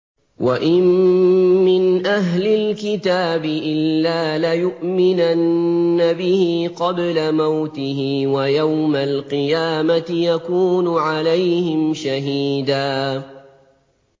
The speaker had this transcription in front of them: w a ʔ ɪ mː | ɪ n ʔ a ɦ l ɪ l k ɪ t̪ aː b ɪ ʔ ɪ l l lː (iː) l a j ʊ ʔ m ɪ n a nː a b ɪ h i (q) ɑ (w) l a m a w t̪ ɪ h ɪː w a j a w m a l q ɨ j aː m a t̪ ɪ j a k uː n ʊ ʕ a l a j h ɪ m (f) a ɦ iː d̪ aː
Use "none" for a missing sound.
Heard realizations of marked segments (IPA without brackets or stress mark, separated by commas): aː, q, b, ʃ